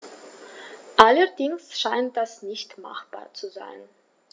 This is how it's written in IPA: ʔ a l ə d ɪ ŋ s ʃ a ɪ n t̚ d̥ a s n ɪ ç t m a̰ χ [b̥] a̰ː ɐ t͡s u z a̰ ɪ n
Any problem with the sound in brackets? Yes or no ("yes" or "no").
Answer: no